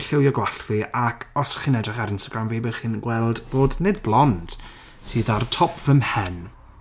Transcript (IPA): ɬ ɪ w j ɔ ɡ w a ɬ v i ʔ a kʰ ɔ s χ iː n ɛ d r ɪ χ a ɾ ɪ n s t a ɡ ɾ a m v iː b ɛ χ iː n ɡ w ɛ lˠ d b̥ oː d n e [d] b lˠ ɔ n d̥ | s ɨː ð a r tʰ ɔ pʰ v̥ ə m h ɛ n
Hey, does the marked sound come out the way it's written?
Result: yes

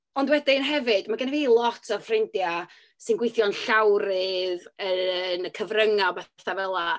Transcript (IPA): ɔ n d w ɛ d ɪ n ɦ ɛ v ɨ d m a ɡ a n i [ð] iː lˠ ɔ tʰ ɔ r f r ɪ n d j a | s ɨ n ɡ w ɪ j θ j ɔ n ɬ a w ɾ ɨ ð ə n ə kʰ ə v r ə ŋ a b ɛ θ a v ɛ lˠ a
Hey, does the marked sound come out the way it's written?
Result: no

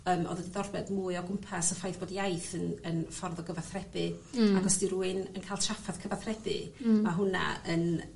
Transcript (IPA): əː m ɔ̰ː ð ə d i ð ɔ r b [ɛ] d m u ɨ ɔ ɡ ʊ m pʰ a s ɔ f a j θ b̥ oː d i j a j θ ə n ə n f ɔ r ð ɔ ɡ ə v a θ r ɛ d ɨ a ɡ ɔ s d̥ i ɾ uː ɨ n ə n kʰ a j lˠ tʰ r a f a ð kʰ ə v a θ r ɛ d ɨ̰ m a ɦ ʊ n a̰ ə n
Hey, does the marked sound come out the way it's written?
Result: yes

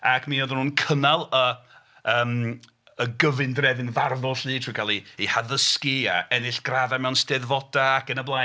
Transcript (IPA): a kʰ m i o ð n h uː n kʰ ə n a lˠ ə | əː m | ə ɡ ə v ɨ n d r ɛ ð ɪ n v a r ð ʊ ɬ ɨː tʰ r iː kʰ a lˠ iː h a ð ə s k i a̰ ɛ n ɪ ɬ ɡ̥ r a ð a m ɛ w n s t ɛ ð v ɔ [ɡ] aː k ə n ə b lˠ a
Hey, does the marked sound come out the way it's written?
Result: no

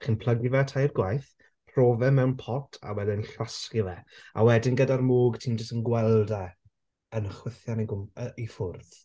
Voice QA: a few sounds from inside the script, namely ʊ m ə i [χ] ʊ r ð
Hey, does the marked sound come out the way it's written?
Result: no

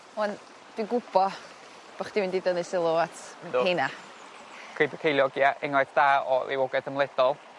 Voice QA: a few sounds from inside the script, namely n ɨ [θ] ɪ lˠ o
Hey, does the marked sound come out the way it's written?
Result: no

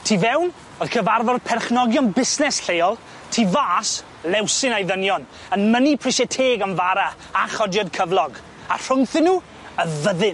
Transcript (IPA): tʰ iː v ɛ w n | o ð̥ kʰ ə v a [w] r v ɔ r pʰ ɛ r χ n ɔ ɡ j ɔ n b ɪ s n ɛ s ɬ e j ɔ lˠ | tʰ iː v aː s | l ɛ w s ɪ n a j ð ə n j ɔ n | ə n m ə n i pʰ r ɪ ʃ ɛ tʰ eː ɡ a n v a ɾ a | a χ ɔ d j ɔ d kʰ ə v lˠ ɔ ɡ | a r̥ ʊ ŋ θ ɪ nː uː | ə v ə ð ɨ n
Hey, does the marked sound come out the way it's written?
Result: no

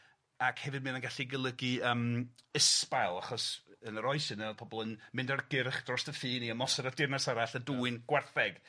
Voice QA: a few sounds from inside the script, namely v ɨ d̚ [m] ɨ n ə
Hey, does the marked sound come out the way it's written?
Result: yes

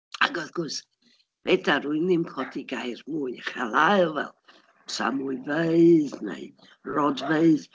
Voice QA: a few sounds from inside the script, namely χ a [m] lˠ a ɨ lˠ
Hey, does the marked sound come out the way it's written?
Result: no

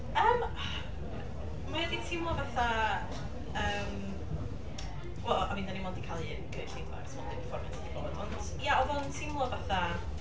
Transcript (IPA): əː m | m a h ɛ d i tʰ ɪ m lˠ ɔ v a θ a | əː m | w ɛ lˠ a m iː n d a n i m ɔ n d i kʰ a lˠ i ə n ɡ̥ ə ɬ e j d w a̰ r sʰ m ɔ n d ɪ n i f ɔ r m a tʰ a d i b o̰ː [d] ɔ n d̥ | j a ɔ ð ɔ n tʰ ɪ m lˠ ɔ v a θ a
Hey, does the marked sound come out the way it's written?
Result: yes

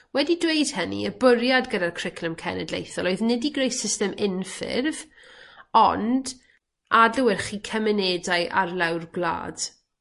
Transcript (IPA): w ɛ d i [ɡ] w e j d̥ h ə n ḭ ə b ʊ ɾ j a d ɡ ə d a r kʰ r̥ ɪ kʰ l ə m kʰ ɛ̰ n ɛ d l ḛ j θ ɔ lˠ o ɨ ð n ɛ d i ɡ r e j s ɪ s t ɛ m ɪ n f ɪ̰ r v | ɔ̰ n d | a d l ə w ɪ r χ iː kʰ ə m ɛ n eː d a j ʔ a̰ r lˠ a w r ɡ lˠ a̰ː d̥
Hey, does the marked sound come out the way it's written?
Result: no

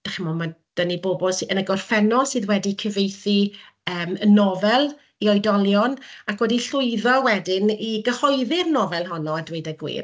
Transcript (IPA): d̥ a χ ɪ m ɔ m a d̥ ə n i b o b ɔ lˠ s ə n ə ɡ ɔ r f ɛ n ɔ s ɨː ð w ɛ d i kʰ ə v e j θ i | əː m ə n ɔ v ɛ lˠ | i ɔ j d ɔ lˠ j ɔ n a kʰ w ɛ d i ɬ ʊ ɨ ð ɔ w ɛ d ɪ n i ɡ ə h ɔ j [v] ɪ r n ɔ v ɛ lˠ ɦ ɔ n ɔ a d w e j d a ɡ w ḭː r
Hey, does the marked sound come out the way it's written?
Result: no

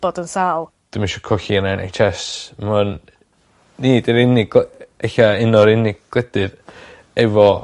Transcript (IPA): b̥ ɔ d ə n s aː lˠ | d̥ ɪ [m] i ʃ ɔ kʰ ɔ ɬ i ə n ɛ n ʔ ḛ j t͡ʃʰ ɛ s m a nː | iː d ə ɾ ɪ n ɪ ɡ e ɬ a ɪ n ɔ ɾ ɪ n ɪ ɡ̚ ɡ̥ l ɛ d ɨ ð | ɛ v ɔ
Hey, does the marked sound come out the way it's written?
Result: yes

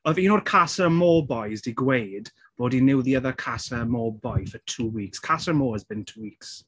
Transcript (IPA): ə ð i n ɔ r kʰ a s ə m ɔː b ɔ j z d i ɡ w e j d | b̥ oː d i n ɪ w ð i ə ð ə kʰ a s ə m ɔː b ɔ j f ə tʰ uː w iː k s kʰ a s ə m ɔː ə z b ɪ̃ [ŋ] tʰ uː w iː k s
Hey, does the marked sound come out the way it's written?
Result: no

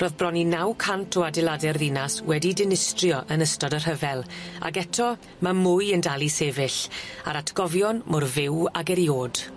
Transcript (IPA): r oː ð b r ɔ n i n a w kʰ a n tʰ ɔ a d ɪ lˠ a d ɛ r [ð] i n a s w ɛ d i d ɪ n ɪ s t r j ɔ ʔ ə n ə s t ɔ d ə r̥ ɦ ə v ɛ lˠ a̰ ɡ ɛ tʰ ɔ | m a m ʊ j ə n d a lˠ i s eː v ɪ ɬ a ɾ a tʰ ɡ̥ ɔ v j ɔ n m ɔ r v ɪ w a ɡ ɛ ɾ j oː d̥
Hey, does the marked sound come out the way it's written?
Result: yes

